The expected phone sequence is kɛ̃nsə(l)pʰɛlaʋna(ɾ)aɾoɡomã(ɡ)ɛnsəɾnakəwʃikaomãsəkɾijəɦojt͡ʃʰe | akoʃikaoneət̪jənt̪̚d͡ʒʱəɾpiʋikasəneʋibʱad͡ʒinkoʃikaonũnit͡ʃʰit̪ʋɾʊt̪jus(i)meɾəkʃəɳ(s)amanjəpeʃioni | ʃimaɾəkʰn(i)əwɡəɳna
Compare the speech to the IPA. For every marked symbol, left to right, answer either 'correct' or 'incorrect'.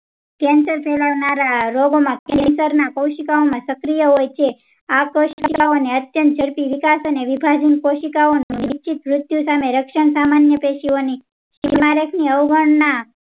incorrect: ɾ, correct, incorrect: k, incorrect: a, correct, correct

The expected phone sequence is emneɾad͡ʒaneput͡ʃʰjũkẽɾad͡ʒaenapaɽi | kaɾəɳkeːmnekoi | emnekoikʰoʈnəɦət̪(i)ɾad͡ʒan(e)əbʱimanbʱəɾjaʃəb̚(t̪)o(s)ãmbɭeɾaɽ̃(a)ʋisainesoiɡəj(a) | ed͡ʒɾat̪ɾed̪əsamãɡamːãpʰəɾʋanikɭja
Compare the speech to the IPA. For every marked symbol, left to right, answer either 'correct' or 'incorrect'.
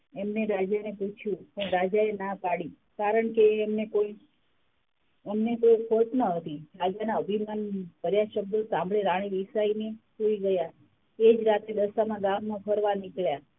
correct, incorrect: a, incorrect: d̪, correct, incorrect: i, correct

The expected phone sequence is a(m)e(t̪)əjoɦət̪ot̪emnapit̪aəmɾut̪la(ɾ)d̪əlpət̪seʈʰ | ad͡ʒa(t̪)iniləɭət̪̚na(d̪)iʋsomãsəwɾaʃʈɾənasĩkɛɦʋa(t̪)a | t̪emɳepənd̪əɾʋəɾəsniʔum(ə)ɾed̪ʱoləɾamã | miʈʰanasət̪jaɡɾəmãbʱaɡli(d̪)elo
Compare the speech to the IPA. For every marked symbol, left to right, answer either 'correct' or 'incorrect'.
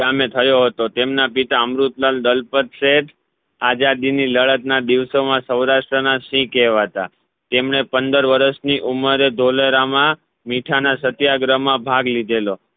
correct, incorrect: t̪ʰ, incorrect: l, incorrect: d̪, correct, correct, correct, correct

